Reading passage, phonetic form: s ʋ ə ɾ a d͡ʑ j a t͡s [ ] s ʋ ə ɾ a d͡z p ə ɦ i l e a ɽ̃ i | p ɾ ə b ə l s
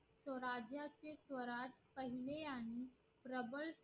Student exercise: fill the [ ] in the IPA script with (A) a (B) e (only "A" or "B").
B